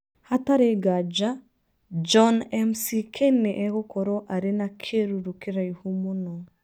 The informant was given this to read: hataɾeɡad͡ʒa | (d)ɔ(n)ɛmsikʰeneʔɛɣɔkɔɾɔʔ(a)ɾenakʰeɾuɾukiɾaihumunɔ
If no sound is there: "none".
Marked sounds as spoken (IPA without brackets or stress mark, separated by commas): d͡ʒ, n, a